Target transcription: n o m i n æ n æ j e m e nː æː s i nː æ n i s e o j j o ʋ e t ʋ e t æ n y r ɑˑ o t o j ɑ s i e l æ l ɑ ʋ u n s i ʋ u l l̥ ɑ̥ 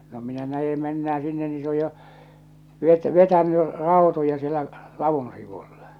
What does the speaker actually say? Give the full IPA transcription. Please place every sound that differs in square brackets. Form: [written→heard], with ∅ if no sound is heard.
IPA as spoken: n o m i n æ n æ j e m e nː æː s i nː [æ→e] n i s e o j j o ʋ e t ʋ e t æ n y r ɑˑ o t o j ɑ s i e l æ l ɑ ʋ u n s i ʋ u l l̥ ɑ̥